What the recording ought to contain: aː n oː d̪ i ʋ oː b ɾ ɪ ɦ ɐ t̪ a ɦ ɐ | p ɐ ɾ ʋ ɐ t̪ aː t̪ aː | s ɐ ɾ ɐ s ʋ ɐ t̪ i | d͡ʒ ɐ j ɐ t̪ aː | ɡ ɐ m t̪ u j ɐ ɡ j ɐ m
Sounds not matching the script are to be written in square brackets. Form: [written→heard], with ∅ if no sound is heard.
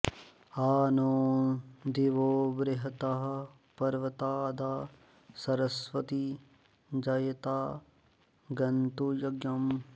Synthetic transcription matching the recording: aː n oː d̪ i ʋ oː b ɾ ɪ ɦ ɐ t̪ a ɦ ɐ | p ɐ ɾ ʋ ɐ t̪ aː [t̪→d̪] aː | s ɐ ɾ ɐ s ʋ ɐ t̪ i | d͡ʒ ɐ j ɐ t̪ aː | ɡ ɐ [m→n] t̪ u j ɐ ɡ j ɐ m